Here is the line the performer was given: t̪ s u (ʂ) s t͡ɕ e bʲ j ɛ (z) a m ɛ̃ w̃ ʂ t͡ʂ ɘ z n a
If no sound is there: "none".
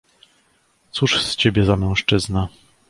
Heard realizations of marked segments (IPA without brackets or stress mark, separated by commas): ʂ, z